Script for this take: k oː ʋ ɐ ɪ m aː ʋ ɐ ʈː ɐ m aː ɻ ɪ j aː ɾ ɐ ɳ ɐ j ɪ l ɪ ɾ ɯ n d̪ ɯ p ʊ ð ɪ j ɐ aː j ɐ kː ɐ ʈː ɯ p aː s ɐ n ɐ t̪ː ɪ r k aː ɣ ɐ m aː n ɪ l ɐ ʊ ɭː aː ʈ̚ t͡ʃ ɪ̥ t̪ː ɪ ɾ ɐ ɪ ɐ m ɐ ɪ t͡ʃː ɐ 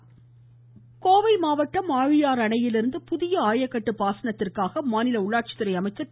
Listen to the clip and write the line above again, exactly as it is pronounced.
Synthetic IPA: k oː ʋ ɐ ɪ m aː ʋ ɐ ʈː ɐ m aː ɻ ɪ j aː ɾ ɐ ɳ ɐ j ɪ l ɪ ɾ ɯ n d̪ ɯ p ʊ ð ɪ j ɐ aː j ɐ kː ɐ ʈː ɯ p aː s ɐ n ɐ t̪ː ɪ r k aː ɣ ɐ m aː n ɪ l ɐ ʊ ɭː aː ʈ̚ t͡ʃ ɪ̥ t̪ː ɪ ɾ ɐ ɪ ɐ m ɐ ɪ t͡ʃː ɐ

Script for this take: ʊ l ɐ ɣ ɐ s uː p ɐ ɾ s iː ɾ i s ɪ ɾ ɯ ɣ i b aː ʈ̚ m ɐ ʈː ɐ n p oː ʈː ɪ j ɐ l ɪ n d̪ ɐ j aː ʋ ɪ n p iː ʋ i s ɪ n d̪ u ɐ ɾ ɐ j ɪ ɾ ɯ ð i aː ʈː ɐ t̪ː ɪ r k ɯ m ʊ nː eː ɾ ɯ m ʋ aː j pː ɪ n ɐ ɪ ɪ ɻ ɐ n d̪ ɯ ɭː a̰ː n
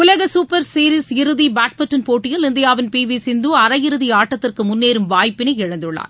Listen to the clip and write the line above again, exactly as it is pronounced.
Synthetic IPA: ʊ l ɐ ɣ ɐ s uː p ɐ ɾ s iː ɾ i s ɪ ɾ ɯ ð i b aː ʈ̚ m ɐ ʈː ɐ n p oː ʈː ɪ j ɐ l ɪ n d̪ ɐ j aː ʋ ɪ n p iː ʋ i s ɪ n d̪ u ɐ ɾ ɐ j ɪ ɾ ɯ ð i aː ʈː ɐ t̪ː ɪ r k ɯ m ʊ nː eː ɾ ɯ m ʋ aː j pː ɪ n ɐ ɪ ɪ ɻ ɐ n d̪ ɯ ɭː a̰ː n

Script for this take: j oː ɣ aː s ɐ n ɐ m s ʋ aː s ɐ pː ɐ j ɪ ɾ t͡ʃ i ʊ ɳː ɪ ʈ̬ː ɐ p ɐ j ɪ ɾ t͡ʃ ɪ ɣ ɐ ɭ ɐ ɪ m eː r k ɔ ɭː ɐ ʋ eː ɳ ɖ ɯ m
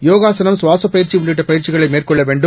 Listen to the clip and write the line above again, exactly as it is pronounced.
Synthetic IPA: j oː ɣ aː s ɐ n ɐ m s ʋ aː s ɐ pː ɐ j ɪ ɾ t͡ʃ i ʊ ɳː ɪ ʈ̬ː ɐ p ɐ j ɪ ɾ t͡ʃ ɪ ɣ ɐ ɭ ɐ ɪ m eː r k ɔ ɭː ɐ ʋ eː ɳ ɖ ɯ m

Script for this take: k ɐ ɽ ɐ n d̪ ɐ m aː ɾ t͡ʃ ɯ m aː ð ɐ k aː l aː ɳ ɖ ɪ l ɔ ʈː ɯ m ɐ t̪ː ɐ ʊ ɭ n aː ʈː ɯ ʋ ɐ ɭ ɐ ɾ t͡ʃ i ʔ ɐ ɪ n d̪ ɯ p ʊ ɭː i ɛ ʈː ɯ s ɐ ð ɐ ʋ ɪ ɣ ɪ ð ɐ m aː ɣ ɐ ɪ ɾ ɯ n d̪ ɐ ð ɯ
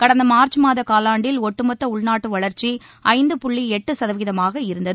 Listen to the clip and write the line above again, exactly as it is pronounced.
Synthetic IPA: k ɐ ɽ ɐ n d̪ ɐ m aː ɾ t͡ʃ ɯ m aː ð ɐ k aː l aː ɳ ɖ ɪ l ɔ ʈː ɯ m ɐ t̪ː ɐ ʊ ɭ n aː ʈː ɯ ʋ ɐ ɭ ɐ ɾ t͡ʃ i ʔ ɐ ɪ n d̪ ɯ p ʊ ɭː i ɛ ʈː ɯ s ɐ ð ɐ ʋ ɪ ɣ ɪ ð ɐ m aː ɣ ɐ ɪ ɾ ɯ n d̪ ɐ ð ɯ

